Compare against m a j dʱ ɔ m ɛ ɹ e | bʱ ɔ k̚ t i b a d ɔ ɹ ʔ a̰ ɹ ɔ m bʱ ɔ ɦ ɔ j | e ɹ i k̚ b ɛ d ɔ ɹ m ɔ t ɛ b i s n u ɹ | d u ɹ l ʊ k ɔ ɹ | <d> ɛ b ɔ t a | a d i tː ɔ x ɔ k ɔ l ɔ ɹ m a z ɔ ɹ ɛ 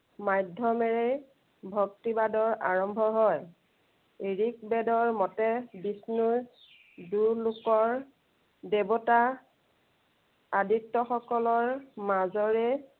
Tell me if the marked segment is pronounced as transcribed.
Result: yes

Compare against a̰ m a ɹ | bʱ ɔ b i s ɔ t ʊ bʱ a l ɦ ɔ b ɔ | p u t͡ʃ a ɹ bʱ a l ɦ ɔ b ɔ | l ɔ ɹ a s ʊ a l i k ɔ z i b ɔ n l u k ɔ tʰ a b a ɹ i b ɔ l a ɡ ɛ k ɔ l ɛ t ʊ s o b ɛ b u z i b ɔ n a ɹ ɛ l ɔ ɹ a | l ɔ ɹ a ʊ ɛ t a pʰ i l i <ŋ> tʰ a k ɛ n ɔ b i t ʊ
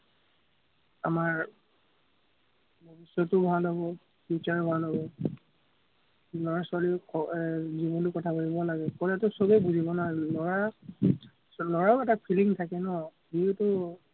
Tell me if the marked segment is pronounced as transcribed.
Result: yes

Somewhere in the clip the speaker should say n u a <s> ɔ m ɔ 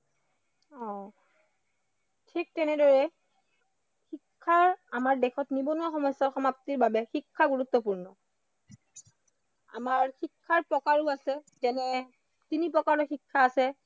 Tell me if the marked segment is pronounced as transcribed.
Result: no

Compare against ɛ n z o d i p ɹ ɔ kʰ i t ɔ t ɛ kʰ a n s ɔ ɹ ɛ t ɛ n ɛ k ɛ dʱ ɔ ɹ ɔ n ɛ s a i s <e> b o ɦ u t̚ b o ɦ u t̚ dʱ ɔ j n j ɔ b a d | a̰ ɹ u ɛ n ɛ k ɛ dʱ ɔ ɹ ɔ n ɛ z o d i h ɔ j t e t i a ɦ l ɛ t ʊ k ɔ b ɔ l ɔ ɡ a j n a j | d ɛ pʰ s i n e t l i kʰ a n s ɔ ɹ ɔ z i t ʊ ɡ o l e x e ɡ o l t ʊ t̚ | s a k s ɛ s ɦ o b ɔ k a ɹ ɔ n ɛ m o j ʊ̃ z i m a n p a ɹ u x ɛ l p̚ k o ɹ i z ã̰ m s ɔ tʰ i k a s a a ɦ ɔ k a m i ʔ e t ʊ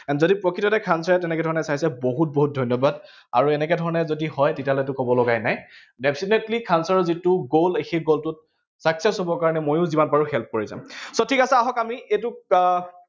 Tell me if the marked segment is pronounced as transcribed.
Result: no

